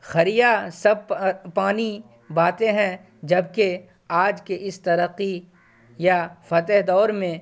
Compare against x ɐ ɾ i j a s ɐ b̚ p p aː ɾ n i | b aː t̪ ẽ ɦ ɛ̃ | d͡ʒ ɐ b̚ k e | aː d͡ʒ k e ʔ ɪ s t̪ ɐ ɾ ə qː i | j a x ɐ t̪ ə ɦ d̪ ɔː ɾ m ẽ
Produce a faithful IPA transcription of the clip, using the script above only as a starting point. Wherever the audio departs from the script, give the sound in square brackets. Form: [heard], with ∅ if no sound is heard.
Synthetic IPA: x ɐ ɾ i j a s ɐ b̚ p p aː [∅] n i | b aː t̪ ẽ ɦ ɛ̃ | d͡ʒ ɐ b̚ k e | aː d͡ʒ k e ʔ ɪ s t̪ ɐ ɾ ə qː i | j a [f] ɐ t̪ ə ɦ d̪ ɔː ɾ m ẽ